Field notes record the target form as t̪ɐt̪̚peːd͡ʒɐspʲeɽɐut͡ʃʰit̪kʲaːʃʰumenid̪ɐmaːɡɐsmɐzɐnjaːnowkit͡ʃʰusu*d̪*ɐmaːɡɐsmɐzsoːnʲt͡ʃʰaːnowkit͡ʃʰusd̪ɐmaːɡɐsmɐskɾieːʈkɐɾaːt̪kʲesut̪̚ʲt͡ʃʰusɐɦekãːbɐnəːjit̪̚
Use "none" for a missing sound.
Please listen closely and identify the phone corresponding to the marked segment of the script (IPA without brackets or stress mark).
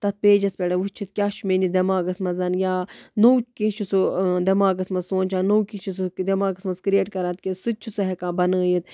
d̪